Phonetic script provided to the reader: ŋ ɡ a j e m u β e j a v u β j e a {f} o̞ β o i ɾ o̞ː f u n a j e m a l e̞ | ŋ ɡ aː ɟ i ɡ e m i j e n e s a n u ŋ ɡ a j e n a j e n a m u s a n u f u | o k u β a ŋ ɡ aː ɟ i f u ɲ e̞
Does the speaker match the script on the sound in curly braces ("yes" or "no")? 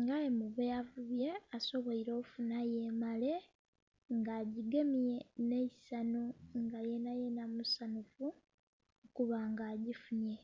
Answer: no